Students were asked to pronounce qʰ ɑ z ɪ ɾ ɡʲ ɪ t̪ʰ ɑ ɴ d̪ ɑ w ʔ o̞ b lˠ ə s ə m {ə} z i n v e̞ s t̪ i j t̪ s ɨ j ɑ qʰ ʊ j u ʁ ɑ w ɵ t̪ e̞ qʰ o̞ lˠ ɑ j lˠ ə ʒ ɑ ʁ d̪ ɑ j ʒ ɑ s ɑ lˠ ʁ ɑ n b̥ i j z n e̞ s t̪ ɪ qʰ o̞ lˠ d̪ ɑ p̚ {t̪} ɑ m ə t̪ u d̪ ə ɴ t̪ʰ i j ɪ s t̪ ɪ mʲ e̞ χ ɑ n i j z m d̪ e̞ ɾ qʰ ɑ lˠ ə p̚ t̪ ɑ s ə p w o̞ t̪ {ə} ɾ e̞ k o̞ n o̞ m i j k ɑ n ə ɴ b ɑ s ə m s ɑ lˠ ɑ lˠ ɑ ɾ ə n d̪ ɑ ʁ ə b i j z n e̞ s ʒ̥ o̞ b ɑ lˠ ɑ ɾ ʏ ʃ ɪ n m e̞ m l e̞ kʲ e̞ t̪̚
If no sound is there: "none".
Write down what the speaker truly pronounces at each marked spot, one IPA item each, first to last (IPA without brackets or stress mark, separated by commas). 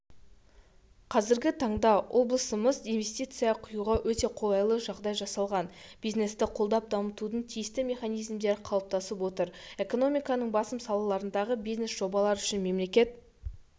ə, d̪, ə